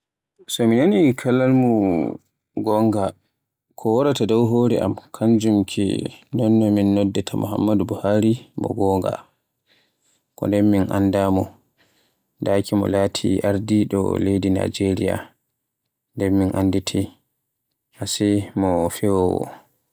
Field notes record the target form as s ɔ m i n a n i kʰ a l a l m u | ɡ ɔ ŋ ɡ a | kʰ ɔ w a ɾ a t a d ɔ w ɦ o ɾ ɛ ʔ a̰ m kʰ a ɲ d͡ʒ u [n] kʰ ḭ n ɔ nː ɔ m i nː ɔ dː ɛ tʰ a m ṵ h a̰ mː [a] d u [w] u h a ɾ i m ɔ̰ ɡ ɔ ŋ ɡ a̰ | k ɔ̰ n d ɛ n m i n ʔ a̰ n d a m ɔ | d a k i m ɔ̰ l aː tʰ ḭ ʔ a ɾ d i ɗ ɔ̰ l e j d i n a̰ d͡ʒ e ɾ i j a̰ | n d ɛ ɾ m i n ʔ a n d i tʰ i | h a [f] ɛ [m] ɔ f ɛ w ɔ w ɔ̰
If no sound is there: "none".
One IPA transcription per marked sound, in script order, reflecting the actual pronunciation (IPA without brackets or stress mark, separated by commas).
m, a, b, s, m